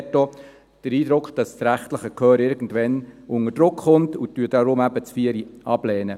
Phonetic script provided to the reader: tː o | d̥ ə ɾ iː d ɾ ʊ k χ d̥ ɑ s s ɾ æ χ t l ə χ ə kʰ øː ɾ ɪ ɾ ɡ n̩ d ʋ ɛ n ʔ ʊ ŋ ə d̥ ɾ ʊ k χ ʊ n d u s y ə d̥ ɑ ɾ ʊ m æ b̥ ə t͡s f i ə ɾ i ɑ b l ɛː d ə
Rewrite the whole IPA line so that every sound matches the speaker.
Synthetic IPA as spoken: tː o | d̥ ə ɾ iː d ɾ ʊ k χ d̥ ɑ s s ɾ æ χ t l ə χ ə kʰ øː ɾ ɪ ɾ ɡ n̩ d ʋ ɛ n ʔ ʊ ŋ ə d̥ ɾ ʊ k χ ʊ n t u t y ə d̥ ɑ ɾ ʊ m æ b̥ ə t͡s f i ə ɾ i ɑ b l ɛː n ə